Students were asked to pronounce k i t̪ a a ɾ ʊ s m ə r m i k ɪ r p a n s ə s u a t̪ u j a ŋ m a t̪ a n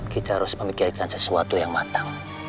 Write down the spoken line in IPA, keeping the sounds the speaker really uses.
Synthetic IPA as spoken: k i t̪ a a ɾ ʊ s m ə m i k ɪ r k a n s ə s u a t̪ u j a ŋ m a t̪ a ŋ